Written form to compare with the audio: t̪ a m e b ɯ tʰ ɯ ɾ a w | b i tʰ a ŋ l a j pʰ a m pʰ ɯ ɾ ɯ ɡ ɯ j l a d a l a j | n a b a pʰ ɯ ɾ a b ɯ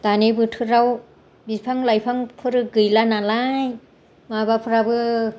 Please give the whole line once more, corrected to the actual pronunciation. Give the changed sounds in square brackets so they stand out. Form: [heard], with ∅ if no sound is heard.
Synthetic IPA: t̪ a [n] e b ɯ tʰ ɯ ɾ a w | b i [pʰ] a ŋ l a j pʰ a [ŋ] pʰ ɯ ɾ ɯ ɡ ɯ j l a [n] a l a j | [m] a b a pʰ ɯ ɾ a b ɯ